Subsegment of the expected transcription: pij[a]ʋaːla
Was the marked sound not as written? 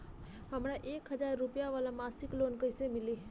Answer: no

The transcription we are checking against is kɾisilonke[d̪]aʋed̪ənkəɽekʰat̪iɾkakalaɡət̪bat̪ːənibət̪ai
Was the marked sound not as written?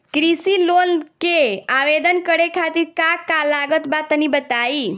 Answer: yes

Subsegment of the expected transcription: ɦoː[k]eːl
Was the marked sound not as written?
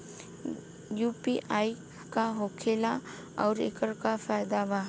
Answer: yes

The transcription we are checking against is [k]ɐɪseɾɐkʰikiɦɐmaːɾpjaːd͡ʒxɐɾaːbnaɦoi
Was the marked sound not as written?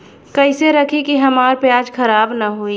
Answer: no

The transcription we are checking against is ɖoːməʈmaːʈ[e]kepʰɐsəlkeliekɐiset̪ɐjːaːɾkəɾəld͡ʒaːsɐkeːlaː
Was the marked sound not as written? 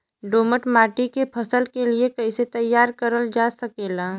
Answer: yes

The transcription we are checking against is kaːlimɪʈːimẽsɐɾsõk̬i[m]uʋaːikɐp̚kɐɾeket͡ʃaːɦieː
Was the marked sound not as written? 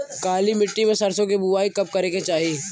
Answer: yes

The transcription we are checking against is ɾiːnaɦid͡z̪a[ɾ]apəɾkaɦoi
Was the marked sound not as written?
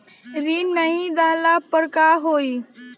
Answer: yes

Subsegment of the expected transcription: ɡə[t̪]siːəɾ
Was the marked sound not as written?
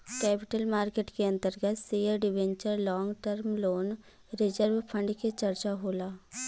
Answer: no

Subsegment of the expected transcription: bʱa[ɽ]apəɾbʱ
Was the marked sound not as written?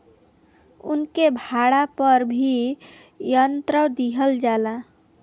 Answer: no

